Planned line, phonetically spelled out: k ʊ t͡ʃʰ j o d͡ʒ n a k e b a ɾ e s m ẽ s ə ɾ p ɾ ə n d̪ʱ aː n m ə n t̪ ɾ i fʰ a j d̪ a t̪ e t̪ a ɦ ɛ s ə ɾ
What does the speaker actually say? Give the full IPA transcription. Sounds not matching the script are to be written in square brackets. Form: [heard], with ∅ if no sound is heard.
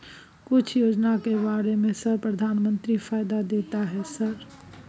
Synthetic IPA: k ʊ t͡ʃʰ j o d͡ʒ n a k e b a ɾ e [∅] m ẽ s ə ɾ p ɾ ə [∅] d̪ʱ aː n m ə n t̪ ɾ i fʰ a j d̪ a [d̪] e t̪ a ɦ ɛ s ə ɾ